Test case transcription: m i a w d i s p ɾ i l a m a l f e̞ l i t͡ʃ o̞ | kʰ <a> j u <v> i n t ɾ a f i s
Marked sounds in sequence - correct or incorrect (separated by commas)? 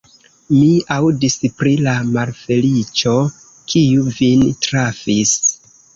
incorrect, correct